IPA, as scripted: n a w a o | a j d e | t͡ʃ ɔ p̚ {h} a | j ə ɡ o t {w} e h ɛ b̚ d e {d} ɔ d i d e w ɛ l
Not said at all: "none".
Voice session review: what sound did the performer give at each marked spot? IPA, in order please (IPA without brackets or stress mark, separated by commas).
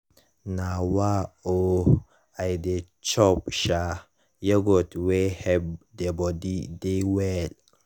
ʃ, w, b